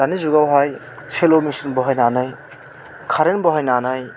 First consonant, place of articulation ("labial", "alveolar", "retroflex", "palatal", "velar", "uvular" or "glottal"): alveolar